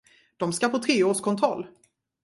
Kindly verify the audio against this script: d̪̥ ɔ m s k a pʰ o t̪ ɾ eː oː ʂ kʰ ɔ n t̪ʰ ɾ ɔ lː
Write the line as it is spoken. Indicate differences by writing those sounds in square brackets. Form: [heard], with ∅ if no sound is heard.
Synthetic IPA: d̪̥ ɔ m s k a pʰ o [t̪ʰ] ɾ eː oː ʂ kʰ ɔ n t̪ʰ ɾ ɔ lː